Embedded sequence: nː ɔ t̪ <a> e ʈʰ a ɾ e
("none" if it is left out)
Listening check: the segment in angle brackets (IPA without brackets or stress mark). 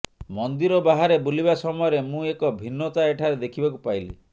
a